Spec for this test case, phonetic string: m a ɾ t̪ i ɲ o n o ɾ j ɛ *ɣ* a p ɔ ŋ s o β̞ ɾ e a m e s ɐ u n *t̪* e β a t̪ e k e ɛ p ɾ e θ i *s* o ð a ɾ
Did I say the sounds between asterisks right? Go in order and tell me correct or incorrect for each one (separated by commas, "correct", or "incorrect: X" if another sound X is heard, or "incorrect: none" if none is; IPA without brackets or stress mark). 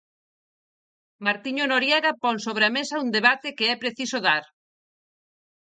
correct, incorrect: d̪, correct